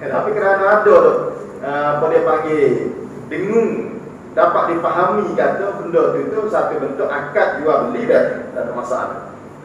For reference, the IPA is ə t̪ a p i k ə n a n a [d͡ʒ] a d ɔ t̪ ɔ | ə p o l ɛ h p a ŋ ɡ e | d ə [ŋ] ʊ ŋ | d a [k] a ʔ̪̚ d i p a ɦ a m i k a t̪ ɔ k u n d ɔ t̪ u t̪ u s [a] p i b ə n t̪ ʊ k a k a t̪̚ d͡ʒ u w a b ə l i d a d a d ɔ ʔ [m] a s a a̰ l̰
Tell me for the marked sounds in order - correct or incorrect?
incorrect: none, correct, incorrect: p, correct, correct

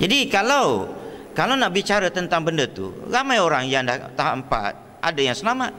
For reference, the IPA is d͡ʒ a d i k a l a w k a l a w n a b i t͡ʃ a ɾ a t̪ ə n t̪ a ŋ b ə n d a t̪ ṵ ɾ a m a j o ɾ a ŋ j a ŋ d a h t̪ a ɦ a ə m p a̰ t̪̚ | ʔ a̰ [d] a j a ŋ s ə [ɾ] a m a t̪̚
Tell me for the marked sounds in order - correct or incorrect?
correct, incorrect: l

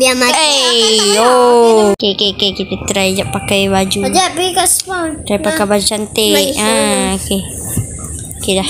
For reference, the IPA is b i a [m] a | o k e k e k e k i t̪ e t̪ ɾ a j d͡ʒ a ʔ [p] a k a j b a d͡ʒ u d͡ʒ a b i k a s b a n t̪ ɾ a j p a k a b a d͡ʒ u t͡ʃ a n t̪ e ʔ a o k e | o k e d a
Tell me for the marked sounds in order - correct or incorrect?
correct, correct

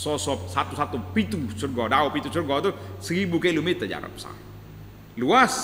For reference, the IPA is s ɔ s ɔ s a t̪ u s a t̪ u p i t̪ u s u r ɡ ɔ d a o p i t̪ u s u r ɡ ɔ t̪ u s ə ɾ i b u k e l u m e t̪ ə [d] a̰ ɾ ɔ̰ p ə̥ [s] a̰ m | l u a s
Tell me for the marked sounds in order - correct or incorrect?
incorrect: d͡ʒ, correct

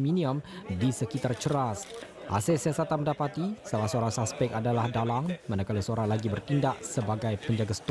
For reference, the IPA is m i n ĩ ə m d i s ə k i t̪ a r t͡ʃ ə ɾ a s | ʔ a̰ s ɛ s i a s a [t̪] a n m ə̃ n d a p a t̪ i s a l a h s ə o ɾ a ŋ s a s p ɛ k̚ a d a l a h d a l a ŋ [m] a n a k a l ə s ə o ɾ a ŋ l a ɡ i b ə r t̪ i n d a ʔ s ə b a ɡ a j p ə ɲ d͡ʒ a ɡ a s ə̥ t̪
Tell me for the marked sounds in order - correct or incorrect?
correct, correct

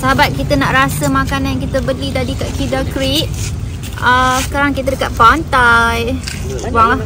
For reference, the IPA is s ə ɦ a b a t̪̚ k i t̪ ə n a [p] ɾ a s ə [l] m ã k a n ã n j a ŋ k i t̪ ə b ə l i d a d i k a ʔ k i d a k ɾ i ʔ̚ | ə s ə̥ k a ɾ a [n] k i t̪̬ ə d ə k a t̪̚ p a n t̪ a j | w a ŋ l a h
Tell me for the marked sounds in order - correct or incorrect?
incorrect: ʔ, incorrect: none, incorrect: ŋ

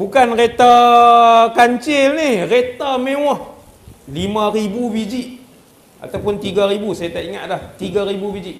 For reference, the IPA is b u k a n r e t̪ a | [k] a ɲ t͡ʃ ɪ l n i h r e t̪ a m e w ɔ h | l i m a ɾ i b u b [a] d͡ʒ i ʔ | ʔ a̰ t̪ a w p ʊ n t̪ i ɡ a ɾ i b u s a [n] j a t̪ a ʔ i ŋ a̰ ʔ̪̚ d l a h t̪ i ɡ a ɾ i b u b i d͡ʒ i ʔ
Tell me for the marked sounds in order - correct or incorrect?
correct, incorrect: i, incorrect: none

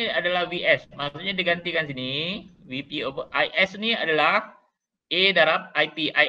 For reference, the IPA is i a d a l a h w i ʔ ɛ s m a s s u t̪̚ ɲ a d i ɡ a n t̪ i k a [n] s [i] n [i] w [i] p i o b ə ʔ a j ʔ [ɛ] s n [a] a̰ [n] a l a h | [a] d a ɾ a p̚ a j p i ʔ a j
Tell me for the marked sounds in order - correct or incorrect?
correct, correct, correct, correct, correct, incorrect: i, incorrect: d, incorrect: e

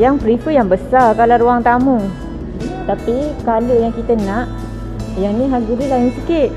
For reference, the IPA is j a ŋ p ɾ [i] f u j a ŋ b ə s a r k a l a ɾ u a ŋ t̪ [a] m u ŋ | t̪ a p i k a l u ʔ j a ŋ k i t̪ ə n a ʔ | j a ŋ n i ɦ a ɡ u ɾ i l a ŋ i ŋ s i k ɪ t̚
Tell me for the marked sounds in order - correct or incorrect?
correct, correct

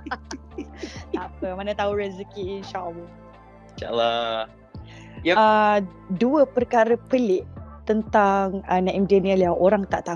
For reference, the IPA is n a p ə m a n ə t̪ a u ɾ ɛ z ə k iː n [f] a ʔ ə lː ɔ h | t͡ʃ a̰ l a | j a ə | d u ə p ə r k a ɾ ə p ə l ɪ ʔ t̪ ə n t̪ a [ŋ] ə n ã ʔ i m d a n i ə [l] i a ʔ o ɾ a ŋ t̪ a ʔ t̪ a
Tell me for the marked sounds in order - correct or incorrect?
incorrect: ʃ, correct, correct

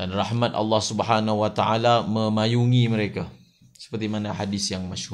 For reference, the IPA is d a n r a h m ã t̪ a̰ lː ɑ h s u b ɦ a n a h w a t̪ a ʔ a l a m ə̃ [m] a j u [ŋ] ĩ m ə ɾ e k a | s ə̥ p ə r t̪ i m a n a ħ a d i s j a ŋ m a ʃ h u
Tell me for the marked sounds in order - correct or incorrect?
correct, correct

